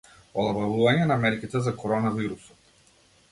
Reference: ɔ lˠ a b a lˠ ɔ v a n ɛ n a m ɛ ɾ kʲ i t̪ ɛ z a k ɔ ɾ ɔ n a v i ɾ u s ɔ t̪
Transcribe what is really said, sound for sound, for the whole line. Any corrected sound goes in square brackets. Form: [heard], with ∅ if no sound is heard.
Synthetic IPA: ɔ lˠ a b a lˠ [u] v a [ɲ] ɛ n a m ɛ ɾ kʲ i t̪ ɛ z a k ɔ ɾ ɔ n a v i ɾ u s ɔ t̪